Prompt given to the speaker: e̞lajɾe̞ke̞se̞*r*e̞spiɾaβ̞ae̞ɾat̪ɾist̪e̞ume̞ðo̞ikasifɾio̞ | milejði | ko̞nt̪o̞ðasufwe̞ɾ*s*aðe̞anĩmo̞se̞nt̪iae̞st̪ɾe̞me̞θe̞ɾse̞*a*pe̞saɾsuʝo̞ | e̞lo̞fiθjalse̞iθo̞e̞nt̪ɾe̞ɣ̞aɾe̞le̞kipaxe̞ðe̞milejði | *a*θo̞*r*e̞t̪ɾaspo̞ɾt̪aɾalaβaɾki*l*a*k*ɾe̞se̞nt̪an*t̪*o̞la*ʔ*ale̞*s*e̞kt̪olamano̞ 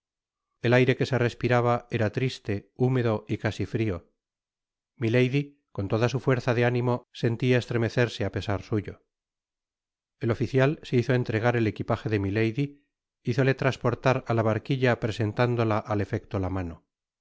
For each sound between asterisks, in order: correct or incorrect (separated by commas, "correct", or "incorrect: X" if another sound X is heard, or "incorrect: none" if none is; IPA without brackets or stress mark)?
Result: correct, incorrect: θ, correct, incorrect: i, incorrect: l, incorrect: ʎ, incorrect: p, incorrect: d̪, correct, incorrect: f